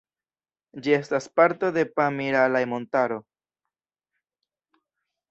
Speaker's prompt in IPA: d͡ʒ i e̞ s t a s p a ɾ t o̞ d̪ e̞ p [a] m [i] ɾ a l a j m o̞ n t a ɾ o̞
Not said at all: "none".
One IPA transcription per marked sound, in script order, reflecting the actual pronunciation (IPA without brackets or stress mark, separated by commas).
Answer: a, i